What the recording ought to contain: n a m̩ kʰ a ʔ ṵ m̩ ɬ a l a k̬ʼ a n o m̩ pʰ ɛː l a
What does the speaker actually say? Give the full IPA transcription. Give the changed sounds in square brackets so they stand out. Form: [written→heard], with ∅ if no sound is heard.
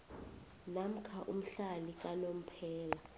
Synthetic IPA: n a m̩ kʰ a ʔ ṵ m̩ ɬ a l [a→i] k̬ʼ a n o m̩ pʰ ɛː l a